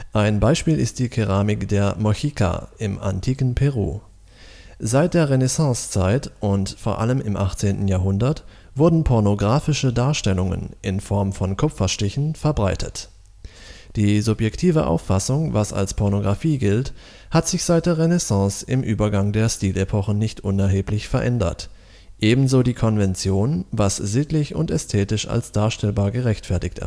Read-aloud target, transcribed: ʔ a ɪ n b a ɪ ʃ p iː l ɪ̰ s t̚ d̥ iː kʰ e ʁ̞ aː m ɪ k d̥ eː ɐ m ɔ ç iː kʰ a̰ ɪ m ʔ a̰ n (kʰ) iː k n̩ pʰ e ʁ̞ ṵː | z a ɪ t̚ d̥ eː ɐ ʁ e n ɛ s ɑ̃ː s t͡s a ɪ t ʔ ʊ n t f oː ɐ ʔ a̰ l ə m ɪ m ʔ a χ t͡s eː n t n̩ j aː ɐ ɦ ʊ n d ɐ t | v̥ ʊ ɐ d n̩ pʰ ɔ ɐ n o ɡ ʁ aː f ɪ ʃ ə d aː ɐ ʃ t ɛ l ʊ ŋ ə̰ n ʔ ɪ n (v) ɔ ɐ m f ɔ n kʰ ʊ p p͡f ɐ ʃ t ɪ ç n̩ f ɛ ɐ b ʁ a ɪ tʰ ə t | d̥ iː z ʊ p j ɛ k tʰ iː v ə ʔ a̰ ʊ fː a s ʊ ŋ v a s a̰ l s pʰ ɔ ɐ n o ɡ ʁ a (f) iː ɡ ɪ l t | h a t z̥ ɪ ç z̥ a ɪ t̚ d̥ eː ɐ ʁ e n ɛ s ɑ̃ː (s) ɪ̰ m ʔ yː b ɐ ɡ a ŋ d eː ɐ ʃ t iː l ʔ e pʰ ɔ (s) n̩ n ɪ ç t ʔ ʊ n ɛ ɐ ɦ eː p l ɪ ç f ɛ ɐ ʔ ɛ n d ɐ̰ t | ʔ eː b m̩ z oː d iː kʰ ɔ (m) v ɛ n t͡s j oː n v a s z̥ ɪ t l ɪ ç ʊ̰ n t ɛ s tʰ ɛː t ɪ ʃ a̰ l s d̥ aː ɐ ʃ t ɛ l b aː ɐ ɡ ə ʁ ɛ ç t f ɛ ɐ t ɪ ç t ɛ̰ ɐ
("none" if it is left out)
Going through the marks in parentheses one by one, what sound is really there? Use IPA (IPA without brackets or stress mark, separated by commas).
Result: tʰ, f, f, s, χ, n